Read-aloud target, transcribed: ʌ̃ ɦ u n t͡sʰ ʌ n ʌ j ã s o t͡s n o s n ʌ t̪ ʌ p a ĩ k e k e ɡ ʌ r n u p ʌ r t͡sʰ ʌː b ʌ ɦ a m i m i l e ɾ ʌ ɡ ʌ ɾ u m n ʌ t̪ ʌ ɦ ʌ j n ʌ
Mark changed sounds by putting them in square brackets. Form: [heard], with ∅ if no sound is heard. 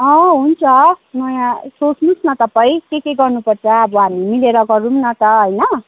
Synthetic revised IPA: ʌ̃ ɦ u n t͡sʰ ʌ n ʌ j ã s o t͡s n [u] s n ʌ t̪ ʌ p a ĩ k e k e ɡ ʌ r n u p ʌ r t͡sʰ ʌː b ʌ ɦ a m i m i l e ɾ ʌ ɡ ʌ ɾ u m n ʌ t̪ ʌ ɦ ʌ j n ʌ

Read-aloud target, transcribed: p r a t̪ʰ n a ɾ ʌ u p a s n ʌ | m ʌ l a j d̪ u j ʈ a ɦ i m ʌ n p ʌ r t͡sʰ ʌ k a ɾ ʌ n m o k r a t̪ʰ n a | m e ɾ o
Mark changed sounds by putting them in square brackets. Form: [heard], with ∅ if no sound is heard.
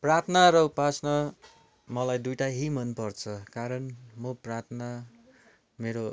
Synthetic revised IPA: p r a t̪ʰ n a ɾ ʌ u p a s n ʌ | m ʌ l a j d̪ u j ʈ a ɦ i m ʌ n p ʌ r t͡sʰ ʌ k a ɾ ʌ n m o [p] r a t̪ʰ n a | m e ɾ o

